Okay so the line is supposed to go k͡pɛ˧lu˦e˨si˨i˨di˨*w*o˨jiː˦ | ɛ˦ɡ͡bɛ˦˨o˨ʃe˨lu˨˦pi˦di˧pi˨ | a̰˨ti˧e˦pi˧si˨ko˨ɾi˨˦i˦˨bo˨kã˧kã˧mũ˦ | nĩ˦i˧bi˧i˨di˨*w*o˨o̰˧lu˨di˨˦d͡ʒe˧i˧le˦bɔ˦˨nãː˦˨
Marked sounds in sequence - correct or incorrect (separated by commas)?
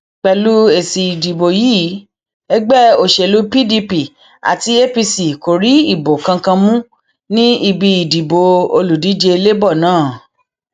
incorrect, incorrect